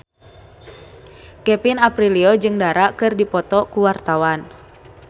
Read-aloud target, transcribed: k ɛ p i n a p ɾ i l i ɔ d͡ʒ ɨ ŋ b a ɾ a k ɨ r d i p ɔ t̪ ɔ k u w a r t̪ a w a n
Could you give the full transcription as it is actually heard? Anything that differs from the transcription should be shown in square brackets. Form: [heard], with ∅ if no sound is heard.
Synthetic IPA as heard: k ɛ p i n a p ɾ i l i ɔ d͡ʒ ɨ ŋ [d] a ɾ a k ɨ r d i p ɔ t̪ ɔ k u w a r t̪ a w a n